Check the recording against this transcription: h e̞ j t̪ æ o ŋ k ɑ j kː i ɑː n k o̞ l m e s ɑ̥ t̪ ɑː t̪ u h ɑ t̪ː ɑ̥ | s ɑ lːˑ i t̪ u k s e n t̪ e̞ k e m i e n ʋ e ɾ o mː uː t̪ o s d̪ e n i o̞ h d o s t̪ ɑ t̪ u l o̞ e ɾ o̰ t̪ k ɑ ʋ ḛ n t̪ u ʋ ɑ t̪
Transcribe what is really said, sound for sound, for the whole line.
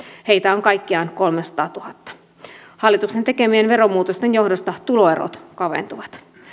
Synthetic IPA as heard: h e̞ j t̪ æ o ŋ k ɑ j kː i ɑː n k o̞ l m e s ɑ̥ t̪ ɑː t̪ u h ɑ t̪ː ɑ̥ | h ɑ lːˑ i t̪ u k s e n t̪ e̞ k e m i e n ʋ e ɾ o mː uː t̪ o s t̪ e n j o̞ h d o s t̪ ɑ t̪ u l o̞ e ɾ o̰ t̪ k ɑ ʋ ḛ n t̪ u ʋ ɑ t̪